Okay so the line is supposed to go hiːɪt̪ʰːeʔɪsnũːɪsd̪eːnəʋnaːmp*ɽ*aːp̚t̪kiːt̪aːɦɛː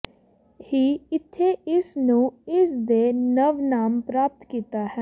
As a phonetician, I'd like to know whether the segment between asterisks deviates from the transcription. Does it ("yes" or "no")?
yes